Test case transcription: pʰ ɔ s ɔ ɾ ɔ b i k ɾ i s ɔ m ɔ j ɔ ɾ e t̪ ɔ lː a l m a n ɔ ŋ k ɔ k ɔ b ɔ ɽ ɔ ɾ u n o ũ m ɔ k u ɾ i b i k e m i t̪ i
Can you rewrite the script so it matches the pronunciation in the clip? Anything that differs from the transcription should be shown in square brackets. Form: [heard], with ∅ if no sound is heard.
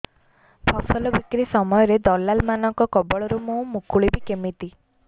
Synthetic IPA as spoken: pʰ ɔ s ɔ [l] ɔ b i k ɾ i s ɔ m ɔ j ɔ ɾ e [d̪] ɔ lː a l m a n ɔ ŋ k ɔ k ɔ b ɔ [ɭ] ɔ ɾ u [m] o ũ m [u] k u [ɭ] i b i k e m i t̪ i